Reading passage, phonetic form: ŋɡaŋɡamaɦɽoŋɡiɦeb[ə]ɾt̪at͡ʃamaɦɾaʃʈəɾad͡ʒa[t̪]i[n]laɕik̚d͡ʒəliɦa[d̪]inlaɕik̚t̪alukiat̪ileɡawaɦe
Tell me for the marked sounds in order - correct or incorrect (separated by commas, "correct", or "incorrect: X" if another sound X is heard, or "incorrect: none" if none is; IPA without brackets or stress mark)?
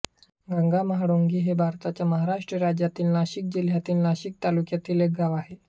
incorrect: a, correct, correct, incorrect: t̪